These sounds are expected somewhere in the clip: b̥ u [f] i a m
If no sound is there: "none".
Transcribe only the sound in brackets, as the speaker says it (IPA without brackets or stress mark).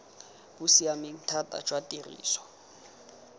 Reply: s